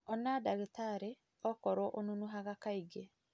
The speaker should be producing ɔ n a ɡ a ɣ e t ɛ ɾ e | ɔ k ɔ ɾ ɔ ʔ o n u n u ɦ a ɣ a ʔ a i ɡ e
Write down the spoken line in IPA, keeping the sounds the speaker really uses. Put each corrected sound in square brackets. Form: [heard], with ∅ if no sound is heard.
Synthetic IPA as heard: ɔ n a [d] a ɣ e t [a] ɾ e | ɔ k ɔ ɾ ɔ ʔ o n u n u ɦ a ɣ a [k] a i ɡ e